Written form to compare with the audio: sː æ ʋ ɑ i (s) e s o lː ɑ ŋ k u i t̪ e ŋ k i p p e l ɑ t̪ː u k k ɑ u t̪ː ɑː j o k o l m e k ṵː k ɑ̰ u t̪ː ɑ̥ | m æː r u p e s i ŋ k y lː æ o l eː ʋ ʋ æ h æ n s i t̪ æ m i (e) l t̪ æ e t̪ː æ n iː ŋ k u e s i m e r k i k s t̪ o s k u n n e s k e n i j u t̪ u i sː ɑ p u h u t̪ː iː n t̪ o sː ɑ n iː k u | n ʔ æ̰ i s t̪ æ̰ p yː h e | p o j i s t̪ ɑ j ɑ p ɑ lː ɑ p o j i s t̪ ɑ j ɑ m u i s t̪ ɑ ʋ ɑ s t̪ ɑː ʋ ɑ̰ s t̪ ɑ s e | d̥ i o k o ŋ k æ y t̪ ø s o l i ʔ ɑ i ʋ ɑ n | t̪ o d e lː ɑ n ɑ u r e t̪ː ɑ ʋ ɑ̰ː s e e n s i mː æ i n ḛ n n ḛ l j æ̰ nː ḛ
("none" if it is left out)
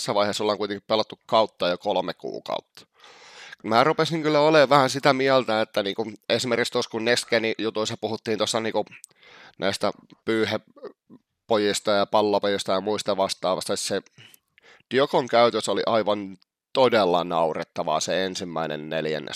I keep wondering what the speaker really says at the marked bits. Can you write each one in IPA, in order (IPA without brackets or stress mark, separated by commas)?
h, æ